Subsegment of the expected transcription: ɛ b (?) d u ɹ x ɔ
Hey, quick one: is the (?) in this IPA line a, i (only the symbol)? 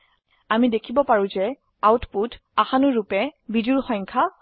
i